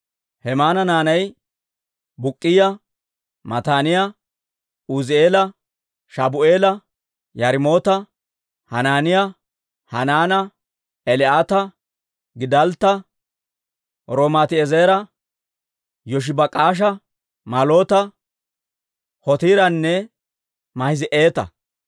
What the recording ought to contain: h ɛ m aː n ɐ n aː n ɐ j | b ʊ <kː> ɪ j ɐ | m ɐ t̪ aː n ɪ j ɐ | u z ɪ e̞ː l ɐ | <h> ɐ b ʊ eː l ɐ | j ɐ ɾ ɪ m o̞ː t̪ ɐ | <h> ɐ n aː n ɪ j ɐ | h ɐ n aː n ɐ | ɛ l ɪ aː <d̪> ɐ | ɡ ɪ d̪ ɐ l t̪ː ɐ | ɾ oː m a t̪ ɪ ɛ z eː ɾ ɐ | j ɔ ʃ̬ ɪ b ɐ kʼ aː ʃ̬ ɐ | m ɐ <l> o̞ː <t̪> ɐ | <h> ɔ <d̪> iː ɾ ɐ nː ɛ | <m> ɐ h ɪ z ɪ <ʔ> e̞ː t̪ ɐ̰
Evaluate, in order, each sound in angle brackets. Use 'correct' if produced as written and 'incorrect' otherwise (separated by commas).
incorrect, incorrect, correct, incorrect, correct, correct, correct, incorrect, correct, correct